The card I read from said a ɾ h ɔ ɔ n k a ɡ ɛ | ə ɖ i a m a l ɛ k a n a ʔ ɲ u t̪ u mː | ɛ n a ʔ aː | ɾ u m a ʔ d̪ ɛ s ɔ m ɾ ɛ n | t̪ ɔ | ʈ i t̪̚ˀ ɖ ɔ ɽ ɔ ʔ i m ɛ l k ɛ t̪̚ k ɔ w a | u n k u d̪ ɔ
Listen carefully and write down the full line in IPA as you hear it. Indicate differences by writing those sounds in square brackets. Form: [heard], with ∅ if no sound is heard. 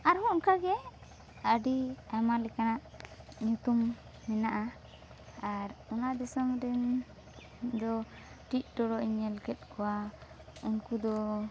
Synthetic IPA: a ɾ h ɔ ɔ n k a ɡ ɛ | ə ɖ i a m a l ɛ k a n a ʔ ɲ u t̪ u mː | ɛ n a ʔ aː | ɾ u [n] a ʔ d̪ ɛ s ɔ m ɾ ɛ n | [d̪] ɔ | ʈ i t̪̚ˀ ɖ ɔ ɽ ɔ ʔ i [ɲ] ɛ l k ɛ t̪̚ k ɔ w a | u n k u d̪ ɔ